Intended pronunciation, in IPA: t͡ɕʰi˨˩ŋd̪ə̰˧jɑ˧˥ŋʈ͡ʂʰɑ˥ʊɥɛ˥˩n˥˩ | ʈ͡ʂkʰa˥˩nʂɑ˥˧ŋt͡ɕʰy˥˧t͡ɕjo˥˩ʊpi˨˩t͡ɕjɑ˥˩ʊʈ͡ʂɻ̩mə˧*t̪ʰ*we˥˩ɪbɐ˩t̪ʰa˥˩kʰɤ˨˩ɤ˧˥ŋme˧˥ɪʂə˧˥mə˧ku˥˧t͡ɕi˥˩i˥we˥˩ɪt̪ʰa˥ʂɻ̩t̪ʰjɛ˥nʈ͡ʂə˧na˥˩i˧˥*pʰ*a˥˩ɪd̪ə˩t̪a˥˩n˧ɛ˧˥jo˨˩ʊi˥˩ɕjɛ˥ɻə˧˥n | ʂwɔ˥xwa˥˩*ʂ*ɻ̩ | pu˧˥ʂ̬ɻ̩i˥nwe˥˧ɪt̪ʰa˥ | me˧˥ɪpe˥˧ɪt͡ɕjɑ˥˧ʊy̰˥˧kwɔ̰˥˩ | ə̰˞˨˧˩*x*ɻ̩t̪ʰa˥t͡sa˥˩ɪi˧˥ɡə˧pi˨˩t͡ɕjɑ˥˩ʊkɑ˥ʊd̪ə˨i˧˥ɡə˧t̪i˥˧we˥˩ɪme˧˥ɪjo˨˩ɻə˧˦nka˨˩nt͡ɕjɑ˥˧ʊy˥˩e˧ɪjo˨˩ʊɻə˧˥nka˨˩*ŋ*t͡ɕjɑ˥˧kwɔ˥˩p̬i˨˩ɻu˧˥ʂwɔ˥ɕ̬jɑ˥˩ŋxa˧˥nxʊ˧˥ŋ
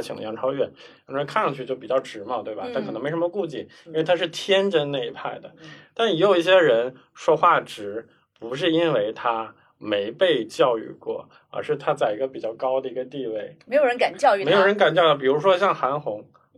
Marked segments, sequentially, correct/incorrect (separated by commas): incorrect, correct, incorrect, incorrect, incorrect